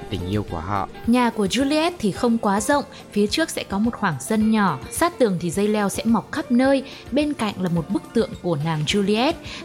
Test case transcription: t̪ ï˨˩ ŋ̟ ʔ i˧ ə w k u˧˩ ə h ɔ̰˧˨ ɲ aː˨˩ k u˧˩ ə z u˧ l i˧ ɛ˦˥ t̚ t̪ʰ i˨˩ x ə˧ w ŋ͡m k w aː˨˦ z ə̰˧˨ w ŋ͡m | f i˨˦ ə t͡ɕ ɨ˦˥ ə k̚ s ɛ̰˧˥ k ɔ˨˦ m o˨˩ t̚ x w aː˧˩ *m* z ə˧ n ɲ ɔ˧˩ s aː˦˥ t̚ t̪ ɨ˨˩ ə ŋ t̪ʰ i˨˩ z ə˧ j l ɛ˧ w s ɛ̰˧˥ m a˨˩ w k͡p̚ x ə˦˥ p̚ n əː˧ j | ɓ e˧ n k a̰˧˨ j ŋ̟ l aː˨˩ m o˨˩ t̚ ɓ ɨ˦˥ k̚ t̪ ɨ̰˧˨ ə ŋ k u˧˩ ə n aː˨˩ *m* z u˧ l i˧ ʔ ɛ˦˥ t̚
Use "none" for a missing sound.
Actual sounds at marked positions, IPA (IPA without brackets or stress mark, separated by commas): ŋ, ŋ